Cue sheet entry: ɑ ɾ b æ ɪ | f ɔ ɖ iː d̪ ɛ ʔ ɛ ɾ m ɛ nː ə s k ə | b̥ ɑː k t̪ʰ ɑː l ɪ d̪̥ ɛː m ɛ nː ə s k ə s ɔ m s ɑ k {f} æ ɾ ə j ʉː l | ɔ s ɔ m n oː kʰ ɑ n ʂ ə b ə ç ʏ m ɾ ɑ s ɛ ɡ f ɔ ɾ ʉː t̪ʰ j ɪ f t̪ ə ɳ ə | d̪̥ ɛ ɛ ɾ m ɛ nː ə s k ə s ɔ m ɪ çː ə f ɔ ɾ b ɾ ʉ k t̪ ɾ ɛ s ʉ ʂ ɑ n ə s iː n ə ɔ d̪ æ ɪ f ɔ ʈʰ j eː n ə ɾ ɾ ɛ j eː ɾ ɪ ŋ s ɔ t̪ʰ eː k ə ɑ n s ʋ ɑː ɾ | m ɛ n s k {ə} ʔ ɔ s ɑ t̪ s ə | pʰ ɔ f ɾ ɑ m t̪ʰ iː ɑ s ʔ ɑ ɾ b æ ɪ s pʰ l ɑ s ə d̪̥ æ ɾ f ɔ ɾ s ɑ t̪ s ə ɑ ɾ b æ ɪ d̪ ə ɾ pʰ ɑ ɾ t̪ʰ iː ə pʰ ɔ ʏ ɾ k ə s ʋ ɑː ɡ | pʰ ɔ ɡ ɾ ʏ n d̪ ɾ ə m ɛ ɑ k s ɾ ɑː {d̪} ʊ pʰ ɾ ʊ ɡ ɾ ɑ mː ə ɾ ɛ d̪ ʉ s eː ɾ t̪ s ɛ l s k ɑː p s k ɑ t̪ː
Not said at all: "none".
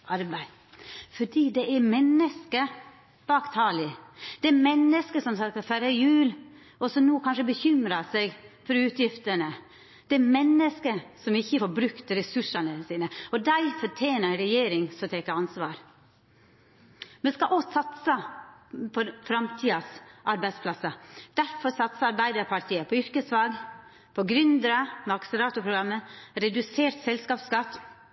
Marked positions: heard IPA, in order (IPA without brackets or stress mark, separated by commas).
f, ɑ, t̪